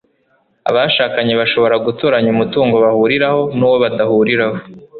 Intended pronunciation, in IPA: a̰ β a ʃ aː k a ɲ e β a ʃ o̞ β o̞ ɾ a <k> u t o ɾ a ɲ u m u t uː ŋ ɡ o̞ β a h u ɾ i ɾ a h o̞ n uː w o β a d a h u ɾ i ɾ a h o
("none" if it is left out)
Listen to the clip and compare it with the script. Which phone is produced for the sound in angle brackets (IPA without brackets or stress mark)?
ɡ